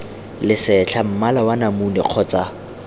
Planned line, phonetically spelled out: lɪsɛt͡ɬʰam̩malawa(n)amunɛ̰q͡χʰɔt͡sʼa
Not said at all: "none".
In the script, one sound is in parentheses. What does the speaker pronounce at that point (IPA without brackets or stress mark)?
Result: n